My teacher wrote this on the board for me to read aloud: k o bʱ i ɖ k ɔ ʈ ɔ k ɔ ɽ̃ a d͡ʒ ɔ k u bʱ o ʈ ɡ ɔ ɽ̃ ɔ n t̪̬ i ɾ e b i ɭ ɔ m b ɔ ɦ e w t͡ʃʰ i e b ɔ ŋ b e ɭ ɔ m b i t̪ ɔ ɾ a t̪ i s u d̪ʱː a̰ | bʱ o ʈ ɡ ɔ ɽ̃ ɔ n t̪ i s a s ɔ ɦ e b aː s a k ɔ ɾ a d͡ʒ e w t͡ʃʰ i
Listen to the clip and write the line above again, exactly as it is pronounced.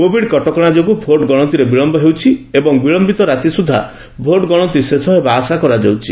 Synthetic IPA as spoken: k o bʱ i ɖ k ɔ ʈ ɔ k ɔ ɽ̃ a d͡ʒ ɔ k u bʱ o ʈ ɡ ɔ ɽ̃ ɔ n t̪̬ i ɾ e b i ɭ ɔ m b ɔ ɦ e w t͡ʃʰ i e b ɔ ŋ b i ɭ ɔ m b i t̪ ɔ ɾ a t̪ i s u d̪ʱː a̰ | bʱ o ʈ ɡ ɔ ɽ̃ ɔ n t̪ i s e s ɔ ɦ e b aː s a k ɔ ɾ a d͡ʒ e w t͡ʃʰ i